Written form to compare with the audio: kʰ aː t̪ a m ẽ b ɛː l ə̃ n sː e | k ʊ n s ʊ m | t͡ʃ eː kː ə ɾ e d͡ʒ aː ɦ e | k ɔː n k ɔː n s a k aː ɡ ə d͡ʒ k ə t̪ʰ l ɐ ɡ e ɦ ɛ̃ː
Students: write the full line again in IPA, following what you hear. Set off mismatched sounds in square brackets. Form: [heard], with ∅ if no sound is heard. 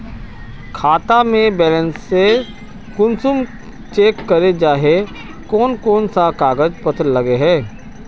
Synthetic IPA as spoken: kʰ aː t̪ a m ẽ b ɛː l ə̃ n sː e | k ʊ n s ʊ m | t͡ʃ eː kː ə ɾ e d͡ʒ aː ɦ e | k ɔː n k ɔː n s a k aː ɡ ə d͡ʒ [p] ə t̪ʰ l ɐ ɡ e ɦ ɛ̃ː